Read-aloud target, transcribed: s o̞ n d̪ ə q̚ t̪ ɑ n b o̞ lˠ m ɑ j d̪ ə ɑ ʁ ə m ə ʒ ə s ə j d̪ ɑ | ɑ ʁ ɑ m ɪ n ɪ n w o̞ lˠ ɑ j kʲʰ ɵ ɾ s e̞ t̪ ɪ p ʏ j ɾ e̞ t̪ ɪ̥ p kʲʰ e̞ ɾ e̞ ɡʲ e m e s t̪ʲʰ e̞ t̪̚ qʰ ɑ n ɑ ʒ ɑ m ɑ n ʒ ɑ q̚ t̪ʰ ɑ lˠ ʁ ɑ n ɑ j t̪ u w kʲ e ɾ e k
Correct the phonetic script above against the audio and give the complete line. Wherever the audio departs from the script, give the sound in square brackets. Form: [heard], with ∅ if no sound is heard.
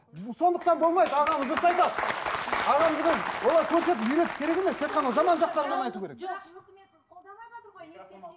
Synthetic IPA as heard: s o̞ n d̪ ə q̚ t̪ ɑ n b o̞ lˠ m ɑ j d̪ ə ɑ ʁ [ɑ] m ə [z] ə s [ɑ] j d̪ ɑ | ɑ ʁ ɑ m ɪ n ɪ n w o̞ lˠ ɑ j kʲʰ ɵ ɾ s e̞ t̪ ɪ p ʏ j ɾ e̞ t̪ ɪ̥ p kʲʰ e̞ ɾ e̞ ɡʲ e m e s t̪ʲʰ e̞ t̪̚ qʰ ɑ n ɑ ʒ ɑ m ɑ n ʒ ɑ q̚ [t̪] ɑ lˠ ʁ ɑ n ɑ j t̪ u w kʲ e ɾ e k